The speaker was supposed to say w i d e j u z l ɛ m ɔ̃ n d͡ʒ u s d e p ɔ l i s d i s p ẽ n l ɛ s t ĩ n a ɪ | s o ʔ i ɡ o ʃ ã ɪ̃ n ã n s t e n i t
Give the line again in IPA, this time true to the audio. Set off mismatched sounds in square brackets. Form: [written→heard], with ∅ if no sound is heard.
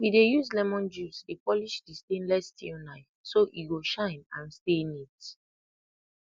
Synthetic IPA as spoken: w i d e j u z l ɛ m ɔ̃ n d͡ʒ u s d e p ɔ l i [s→ʃ] d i s [p→t] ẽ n l ɛ s t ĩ n a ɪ | s o ʔ i ɡ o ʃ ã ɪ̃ n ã n s t e n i t

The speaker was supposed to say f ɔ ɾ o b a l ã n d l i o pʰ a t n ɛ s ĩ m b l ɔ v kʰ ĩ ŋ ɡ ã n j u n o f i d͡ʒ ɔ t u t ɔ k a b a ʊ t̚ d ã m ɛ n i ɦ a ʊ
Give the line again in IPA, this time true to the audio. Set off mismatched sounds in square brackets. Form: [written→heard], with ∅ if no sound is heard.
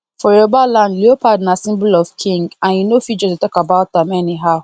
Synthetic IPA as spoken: f ɔ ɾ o b a l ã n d l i o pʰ a [t→d] n [ɛ→a] s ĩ m b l ɔ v kʰ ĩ ŋ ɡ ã n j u n o f i d͡ʒ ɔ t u t ɔ k a b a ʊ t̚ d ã m ɛ n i ɦ a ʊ

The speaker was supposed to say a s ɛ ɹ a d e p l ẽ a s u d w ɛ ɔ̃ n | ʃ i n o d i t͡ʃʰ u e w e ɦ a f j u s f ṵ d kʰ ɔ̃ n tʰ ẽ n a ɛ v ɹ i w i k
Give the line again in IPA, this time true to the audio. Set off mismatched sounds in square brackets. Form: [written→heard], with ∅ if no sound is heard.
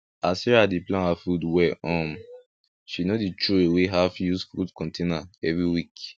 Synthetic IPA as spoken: a s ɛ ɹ a d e p l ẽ a [s→f] u d w ɛ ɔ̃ [n→m] | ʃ i n o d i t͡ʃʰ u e w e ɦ a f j u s f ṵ d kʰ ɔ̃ n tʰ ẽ n a ɛ v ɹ i w i k

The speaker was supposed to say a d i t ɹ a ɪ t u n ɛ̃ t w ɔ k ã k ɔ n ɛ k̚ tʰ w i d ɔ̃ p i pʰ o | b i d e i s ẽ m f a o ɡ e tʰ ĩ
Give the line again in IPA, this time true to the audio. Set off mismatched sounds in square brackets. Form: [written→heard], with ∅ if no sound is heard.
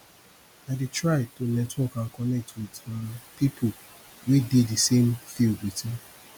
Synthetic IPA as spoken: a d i t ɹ a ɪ t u n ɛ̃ t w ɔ k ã k ɔ n ɛ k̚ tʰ w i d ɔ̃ p i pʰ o | [b→w] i d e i s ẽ m f [a→i] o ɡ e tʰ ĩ

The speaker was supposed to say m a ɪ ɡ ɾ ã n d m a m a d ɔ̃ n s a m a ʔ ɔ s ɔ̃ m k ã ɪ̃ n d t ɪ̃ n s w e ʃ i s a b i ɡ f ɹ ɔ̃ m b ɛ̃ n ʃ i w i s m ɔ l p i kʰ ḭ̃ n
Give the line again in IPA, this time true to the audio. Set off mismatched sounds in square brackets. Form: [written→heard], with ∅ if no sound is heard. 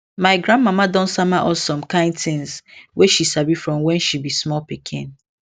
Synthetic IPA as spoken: m a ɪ ɡ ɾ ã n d m a m a d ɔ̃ n s a m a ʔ ɔ s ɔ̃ m k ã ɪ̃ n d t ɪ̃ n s w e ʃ i s a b i [ɡ→∅] f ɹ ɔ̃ m [b→w] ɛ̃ n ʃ i [w→b] i s m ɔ l p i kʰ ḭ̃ n

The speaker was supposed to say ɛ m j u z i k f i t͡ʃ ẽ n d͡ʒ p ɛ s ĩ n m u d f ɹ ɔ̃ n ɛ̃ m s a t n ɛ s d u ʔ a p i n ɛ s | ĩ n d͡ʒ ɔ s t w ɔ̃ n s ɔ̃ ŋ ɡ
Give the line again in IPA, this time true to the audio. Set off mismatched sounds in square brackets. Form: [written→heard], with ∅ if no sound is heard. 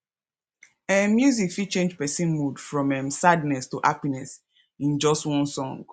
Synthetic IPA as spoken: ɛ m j u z i k f i t͡ʃ ẽ n d͡ʒ p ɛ s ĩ n m u d f ɹ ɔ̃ [n→m] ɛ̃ m s a [t→d] n ɛ s [d→t] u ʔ a p i n ɛ s | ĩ n d͡ʒ ɔ s t w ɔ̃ n s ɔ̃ ŋ ɡ

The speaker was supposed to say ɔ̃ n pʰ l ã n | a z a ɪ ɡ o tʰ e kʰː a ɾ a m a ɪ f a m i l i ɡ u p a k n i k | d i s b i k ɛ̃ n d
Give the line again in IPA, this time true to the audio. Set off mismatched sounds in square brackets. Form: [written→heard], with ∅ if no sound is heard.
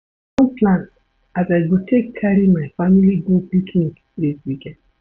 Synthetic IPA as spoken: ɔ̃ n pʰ l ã n | a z a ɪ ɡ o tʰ e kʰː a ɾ [a→i] m a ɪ f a m i l i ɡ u p [a→i] k n i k | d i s [b→w] i k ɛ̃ n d

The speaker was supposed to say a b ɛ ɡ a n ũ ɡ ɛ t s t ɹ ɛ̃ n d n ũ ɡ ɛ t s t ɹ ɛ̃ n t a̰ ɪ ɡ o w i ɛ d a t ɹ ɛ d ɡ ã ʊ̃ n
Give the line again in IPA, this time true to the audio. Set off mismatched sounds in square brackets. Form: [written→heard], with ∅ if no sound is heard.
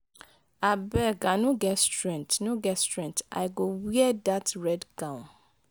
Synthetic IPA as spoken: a b ɛ ɡ a n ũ ɡ ɛ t s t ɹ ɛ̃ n [d→t] n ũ ɡ ɛ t s t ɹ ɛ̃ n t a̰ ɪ ɡ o w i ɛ d a t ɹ ɛ d ɡ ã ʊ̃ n

